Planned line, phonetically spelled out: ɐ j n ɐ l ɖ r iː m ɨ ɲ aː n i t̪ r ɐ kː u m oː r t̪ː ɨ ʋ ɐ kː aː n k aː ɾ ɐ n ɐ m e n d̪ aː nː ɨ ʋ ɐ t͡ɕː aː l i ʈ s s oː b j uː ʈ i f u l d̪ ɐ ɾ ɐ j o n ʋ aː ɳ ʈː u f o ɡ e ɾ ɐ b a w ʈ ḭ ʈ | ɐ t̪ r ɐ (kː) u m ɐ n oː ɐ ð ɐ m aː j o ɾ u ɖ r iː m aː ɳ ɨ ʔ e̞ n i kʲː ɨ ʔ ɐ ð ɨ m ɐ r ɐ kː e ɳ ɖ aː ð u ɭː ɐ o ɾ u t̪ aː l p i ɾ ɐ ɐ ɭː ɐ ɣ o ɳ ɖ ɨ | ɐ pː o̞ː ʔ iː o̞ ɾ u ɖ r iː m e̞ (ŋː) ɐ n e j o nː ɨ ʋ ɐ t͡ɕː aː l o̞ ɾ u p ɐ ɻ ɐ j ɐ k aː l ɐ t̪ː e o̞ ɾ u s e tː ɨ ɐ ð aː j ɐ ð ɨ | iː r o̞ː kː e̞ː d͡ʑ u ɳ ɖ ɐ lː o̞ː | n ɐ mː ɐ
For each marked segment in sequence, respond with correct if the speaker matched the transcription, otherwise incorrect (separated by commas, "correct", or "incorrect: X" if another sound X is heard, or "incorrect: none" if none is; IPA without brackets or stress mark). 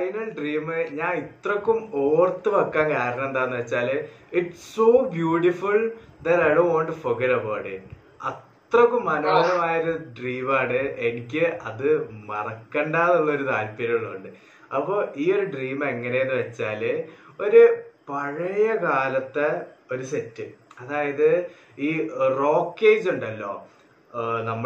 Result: correct, correct